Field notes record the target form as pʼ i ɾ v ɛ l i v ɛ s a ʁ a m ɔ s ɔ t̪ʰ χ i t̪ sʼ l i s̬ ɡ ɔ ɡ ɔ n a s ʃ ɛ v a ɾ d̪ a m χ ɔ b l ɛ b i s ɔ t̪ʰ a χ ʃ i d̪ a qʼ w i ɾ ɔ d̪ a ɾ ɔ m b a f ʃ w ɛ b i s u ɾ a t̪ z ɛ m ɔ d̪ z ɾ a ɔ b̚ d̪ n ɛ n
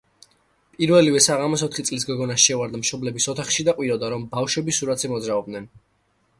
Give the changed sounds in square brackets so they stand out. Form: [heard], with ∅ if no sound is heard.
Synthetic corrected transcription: pʼ i ɾ v ɛ l i v ɛ s a ʁ a m ɔ s ɔ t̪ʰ χ i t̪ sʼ l i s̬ ɡ ɔ ɡ ɔ n a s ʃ ɛ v a ɾ d̪ a m [ʃ] ɔ b l ɛ b i s ɔ t̪ʰ a χ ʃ i d̪ a qʼ w i ɾ ɔ d̪ a ɾ ɔ m b a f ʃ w ɛ b i s u ɾ a t̪ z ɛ m ɔ d̪ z ɾ a ɔ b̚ d̪ n ɛ n

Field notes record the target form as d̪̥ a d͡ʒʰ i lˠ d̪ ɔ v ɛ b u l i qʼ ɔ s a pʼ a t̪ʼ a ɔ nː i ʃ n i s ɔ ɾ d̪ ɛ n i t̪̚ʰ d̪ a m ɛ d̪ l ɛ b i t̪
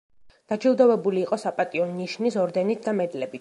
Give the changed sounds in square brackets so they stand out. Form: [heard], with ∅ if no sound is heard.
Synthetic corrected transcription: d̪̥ a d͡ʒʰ i lˠ d̪ ɔ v ɛ b u l [iː] qʼ ɔ s a pʼ a t̪ʼ [i] ɔ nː i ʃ n i s ɔ ɾ d̪ ɛ n i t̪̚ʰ d̪ a m ɛ d̪ l ɛ b i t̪

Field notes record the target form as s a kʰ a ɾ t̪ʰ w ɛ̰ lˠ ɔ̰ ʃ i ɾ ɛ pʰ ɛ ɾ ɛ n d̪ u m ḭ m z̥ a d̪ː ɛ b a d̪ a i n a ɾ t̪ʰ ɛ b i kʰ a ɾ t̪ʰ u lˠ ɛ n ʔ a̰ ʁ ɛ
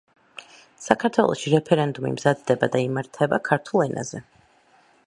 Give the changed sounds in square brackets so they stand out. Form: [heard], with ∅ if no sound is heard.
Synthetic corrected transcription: s a kʰ a ɾ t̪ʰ w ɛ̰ lˠ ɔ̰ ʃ i ɾ ɛ pʰ ɛ ɾ ɛ n d̪ u m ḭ m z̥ a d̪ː ɛ b a d̪ a i [m] a ɾ t̪ʰ ɛ b [a] kʰ a ɾ t̪ʰ u lˠ ɛ n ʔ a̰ [z] ɛ

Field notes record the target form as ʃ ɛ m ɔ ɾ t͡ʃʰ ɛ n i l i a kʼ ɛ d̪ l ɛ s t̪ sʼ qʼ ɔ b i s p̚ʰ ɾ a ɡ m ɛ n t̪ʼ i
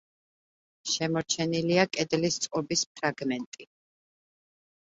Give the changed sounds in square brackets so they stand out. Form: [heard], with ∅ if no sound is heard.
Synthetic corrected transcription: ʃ ɛ m ɔ ɾ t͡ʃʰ ɛ n i l i a kʼ ɛ d̪ l [i] s t̪ sʼ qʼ ɔ b i s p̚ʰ ɾ a ɡ m ɛ n t̪ʼ i

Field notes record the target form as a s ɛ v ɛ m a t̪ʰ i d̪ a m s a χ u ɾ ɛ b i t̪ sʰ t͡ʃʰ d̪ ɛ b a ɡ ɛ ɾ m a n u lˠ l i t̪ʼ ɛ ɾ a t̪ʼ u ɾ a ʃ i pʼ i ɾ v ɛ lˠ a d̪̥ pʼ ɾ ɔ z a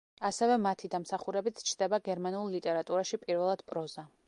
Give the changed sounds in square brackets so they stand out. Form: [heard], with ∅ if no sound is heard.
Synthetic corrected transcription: a s ɛ v ɛ m a t̪ʰ i d̪ a m s a χ u ɾ ɛ b i t̪ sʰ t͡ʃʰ d̪ ɛ b a ɡ ɛ ɾ m a n u lˠ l i t̪ʼ ɛ ɾ a t̪ʼ u ɾ a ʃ i pʼ i ɾ v ɛ lˠ a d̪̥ pʼ ɾ ɔ z a

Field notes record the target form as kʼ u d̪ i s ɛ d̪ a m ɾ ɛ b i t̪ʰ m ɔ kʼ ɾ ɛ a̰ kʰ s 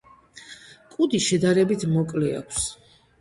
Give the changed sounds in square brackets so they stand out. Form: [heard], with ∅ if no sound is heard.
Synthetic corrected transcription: kʼ u d̪ i [ʃ] ɛ d̪ a [∅] ɾ ɛ b i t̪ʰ m ɔ kʼ [l] ɛ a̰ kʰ s

